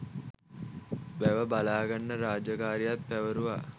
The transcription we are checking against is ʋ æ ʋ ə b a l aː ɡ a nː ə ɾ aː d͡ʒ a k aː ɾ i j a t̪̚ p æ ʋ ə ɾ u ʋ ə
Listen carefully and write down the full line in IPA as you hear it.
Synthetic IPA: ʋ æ ʋ ə b a l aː ɡ a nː ə ɾ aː d͡ʒ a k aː ɾ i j a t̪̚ p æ ʋ ə ɾ u ʋ a